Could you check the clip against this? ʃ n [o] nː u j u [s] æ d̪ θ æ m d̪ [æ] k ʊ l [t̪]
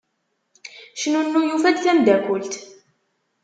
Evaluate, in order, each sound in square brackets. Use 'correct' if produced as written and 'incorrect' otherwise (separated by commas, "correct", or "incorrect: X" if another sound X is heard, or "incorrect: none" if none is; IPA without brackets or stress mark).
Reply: incorrect: u, incorrect: f, correct, correct